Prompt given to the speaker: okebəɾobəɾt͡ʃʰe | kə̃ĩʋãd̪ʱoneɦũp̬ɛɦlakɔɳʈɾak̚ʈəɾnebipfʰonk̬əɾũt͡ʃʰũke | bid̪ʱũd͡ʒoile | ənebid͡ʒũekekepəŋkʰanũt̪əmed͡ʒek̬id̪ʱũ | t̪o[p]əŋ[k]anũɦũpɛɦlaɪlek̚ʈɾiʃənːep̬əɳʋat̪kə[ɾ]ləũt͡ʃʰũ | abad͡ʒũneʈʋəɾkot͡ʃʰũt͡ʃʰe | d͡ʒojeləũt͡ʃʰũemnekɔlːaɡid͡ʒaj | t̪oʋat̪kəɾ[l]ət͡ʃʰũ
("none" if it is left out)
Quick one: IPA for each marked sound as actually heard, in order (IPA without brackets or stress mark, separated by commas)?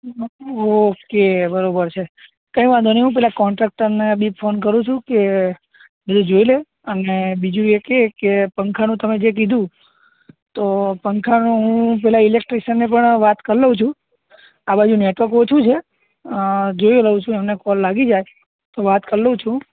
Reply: p, kʰ, ɾ, l